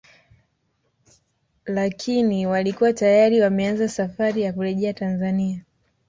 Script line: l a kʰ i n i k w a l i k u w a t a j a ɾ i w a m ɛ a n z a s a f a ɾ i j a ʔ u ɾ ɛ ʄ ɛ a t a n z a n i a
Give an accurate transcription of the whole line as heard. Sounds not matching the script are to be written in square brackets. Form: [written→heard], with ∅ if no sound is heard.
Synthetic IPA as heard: l a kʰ i n i [k→∅] w a l i k u w a t a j a ɾ i w a m ɛ a n z a s a f a ɾ i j a [ʔ→k] u ɾ ɛ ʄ ɛ a t a n z a n i a